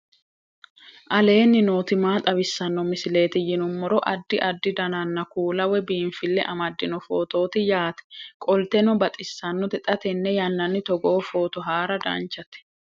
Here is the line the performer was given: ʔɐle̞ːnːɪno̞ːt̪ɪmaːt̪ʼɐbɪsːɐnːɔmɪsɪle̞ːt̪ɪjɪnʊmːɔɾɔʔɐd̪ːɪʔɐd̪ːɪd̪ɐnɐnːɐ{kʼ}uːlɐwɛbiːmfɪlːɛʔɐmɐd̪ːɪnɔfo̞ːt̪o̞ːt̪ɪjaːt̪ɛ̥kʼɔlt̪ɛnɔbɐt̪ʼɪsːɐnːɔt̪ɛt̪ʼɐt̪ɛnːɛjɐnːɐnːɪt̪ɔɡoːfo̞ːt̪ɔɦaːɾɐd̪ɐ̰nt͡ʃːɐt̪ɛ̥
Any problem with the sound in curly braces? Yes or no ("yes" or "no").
yes